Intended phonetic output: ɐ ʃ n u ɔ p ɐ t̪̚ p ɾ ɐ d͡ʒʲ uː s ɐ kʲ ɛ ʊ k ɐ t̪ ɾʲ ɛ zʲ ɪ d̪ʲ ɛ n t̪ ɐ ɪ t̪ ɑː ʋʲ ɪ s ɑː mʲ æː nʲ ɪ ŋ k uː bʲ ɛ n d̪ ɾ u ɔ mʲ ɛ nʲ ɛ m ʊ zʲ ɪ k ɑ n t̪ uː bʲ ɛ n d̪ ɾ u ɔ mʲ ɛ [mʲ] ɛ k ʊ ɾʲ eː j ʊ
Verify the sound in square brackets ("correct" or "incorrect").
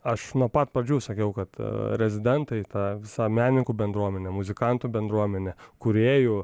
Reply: incorrect